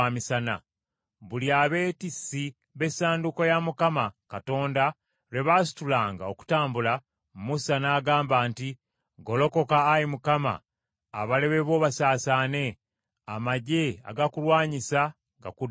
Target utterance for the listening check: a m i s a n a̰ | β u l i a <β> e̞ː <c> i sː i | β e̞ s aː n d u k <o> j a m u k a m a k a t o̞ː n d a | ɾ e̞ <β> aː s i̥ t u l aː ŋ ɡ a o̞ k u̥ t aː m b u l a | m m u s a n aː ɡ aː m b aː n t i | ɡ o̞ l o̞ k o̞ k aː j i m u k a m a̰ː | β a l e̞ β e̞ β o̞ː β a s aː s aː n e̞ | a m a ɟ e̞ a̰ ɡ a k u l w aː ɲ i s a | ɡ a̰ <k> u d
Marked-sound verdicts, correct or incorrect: correct, incorrect: t, correct, correct, correct

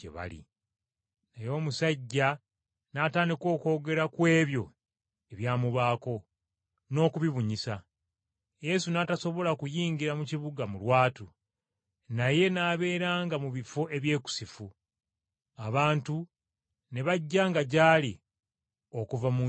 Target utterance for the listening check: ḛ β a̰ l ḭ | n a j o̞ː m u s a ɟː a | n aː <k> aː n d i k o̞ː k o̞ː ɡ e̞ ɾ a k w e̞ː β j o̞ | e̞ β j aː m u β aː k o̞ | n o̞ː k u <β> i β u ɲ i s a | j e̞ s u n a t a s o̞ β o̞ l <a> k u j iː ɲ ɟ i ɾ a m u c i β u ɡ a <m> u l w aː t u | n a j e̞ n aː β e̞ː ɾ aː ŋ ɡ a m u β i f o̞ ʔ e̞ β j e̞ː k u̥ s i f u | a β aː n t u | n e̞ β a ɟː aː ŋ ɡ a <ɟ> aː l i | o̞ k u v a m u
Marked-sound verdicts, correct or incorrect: incorrect: t, correct, correct, correct, correct

